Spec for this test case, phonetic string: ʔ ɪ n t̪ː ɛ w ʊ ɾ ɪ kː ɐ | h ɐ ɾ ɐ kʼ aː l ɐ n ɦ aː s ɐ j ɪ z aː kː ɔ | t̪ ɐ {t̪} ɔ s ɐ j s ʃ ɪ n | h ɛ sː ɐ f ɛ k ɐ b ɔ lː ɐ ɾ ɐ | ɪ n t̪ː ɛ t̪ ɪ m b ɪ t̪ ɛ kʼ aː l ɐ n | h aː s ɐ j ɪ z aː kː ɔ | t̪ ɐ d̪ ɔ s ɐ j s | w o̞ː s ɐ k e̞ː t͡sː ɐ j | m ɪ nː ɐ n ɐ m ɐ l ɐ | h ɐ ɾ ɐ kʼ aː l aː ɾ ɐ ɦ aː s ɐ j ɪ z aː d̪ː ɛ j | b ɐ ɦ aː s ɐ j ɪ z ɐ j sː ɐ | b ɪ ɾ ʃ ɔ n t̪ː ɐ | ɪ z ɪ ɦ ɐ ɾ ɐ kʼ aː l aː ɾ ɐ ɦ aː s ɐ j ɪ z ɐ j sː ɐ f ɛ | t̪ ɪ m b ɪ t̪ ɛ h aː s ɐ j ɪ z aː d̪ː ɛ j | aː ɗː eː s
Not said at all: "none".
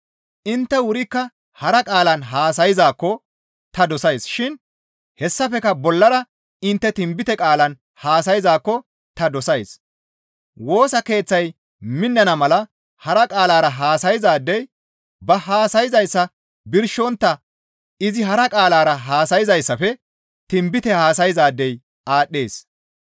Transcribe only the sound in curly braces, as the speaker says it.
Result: d̪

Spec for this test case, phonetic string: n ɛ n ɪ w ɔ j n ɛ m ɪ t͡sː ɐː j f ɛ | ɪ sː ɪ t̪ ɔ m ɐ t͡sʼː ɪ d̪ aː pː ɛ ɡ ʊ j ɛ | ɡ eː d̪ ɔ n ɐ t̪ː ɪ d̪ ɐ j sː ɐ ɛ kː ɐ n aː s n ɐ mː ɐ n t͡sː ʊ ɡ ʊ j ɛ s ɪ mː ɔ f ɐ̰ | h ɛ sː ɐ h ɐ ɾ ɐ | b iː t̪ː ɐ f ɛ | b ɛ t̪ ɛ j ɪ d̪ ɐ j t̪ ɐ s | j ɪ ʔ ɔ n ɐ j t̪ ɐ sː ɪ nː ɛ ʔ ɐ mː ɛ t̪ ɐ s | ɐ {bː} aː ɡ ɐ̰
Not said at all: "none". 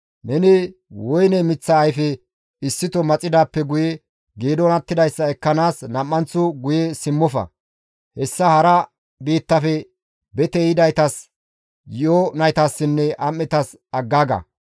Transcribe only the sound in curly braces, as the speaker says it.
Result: ɡː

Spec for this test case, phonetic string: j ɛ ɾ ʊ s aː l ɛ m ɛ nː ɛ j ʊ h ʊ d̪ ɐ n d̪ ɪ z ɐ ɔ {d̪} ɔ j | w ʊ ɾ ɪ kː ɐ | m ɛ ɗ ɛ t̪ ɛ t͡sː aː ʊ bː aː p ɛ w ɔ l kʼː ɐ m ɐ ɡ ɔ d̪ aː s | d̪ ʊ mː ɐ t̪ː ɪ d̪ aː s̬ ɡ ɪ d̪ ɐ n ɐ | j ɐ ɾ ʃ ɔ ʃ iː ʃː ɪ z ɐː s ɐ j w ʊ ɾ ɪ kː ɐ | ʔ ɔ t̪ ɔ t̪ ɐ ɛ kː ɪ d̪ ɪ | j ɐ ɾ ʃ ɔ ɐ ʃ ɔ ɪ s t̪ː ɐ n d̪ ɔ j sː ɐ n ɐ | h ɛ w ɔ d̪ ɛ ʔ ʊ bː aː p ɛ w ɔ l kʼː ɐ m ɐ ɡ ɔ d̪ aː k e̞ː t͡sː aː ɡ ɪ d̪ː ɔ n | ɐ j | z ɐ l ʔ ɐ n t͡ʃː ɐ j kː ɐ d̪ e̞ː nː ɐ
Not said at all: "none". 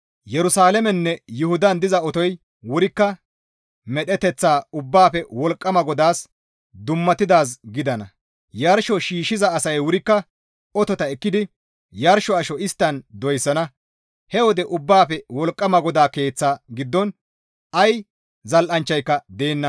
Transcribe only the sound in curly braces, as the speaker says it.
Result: t̪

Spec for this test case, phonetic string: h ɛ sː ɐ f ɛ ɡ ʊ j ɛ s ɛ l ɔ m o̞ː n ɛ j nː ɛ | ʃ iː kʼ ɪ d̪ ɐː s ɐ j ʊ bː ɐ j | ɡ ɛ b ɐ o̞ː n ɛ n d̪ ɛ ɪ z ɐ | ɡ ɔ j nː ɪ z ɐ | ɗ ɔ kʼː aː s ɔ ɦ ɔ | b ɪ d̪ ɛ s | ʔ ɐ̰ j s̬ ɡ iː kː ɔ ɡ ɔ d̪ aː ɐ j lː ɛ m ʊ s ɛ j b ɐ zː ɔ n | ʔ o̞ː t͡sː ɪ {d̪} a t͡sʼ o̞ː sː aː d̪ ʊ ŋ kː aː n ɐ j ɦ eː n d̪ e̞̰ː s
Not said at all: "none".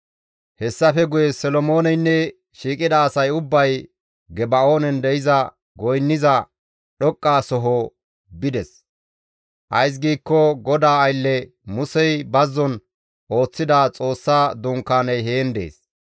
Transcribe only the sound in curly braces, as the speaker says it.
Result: d̪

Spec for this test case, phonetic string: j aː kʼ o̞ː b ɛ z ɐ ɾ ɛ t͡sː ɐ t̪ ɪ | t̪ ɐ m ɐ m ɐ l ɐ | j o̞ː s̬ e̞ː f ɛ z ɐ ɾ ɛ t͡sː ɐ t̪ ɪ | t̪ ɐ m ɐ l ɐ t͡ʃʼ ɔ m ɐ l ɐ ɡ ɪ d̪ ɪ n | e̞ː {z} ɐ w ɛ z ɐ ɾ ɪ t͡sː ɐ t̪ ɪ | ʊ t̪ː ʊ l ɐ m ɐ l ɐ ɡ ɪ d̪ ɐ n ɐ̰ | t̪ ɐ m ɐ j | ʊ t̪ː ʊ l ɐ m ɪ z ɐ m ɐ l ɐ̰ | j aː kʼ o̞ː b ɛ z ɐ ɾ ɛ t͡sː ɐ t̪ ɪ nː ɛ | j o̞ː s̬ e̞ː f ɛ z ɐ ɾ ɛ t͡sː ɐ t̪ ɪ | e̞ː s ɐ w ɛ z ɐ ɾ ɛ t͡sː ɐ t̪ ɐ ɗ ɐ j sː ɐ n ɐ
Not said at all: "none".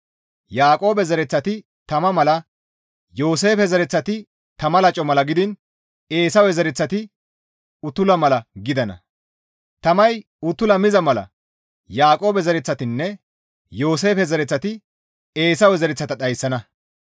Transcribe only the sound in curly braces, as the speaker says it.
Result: s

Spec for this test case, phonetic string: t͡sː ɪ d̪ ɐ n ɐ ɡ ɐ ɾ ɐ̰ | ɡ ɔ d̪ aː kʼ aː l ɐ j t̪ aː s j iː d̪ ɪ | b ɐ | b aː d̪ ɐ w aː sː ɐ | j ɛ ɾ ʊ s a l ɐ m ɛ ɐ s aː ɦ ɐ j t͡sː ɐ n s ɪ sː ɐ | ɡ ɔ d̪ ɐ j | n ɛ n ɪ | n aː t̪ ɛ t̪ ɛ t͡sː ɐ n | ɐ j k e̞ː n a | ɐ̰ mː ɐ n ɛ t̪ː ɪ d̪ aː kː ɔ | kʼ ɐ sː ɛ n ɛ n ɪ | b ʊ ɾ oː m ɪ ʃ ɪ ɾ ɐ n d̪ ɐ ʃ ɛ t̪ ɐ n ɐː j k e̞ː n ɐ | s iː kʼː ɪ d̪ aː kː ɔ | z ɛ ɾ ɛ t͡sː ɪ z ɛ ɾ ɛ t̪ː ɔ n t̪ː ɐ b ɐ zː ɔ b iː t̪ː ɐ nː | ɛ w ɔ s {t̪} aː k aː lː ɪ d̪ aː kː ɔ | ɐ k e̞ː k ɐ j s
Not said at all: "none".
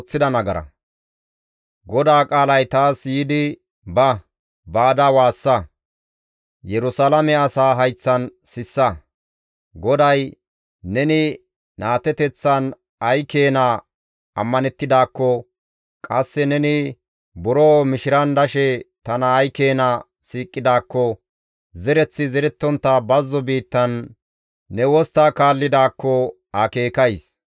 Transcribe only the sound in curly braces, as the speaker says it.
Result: t̪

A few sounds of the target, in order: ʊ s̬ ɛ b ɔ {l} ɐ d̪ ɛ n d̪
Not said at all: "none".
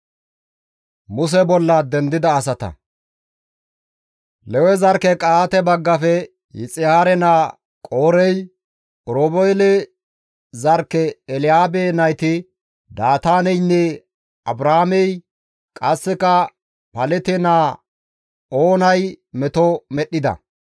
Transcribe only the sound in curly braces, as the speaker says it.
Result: lː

